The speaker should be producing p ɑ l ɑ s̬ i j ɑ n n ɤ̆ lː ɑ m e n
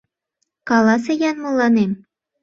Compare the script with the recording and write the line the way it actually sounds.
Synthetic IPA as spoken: k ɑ l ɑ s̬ e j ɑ n m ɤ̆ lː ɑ n e m